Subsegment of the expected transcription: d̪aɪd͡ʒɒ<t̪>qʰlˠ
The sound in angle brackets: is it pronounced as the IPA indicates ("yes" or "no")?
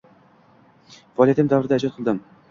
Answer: yes